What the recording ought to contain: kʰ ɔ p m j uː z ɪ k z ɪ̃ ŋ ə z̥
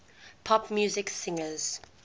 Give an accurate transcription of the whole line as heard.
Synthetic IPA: pʰ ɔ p m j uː z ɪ k s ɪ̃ ŋ ə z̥